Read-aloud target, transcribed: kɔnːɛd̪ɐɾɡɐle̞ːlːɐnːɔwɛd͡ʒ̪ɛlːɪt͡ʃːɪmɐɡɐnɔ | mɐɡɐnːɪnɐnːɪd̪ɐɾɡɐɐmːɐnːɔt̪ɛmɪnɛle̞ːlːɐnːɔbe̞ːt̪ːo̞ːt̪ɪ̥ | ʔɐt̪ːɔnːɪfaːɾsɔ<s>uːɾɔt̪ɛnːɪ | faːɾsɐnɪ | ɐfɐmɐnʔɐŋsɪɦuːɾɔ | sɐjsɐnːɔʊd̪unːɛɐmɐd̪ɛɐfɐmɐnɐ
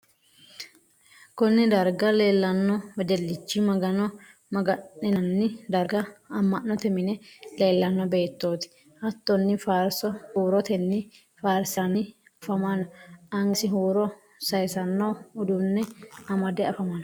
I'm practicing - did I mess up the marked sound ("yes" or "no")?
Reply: yes